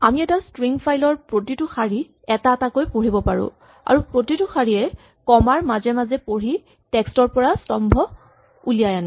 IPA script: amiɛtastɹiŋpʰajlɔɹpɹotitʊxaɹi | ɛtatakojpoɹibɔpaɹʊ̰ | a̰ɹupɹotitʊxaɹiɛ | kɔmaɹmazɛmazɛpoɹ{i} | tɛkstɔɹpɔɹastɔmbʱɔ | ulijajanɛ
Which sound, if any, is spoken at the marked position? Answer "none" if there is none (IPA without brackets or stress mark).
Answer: i